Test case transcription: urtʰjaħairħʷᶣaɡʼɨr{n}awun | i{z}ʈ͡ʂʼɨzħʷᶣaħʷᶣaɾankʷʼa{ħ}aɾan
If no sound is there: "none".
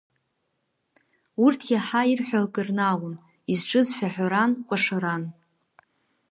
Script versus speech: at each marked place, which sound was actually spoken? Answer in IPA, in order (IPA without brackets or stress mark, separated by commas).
n, z, ʂ